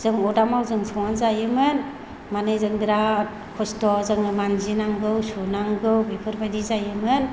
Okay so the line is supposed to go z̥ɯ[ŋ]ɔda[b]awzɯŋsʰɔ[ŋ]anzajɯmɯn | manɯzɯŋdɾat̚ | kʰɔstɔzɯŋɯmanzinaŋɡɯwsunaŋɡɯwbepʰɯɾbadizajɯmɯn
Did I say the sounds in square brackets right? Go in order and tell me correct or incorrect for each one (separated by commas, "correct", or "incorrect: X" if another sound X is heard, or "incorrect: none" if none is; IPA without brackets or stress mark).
correct, incorrect: m, correct